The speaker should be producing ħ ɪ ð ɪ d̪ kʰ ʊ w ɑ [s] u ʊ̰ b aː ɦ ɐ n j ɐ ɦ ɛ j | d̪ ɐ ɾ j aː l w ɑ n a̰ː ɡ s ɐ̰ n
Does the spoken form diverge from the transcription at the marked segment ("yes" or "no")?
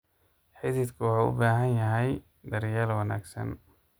yes